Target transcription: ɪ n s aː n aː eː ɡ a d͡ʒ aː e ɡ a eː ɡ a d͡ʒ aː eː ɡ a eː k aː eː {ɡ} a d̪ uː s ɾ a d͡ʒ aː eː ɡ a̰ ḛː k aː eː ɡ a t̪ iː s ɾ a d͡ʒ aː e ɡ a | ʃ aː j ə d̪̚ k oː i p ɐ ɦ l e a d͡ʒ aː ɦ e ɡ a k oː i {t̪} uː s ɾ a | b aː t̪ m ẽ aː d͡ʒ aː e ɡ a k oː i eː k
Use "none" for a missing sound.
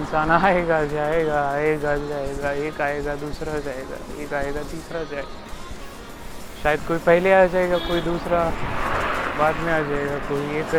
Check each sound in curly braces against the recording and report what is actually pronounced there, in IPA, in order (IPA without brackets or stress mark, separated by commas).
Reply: ɡ, d̪